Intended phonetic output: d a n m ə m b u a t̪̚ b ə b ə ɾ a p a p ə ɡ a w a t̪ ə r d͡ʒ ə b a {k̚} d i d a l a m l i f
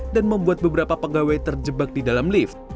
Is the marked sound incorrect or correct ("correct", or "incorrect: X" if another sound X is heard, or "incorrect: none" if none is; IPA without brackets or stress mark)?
correct